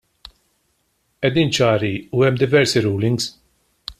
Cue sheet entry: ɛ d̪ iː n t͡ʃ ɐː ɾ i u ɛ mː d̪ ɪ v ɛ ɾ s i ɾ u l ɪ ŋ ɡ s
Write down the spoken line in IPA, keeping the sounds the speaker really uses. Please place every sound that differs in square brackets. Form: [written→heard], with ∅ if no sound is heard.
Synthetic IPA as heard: ɛ d̪ iː n t͡ʃ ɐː ɾ i u ɛ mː d̪ ɪ v ɛ ɾ s i ɾ [u→uː] l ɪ ŋ ɡ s